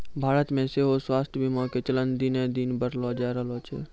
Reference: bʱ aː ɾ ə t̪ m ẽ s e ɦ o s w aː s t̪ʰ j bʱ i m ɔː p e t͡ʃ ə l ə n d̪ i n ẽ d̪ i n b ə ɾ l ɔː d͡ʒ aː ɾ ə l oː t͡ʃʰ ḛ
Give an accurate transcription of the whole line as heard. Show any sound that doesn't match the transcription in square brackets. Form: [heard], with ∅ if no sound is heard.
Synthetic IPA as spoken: bʱ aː ɾ ə t̪ m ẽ s e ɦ o s w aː s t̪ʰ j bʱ i m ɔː [k] e t͡ʃ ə l ə n d̪ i n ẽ d̪ i n b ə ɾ l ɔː d͡ʒ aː ɾ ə l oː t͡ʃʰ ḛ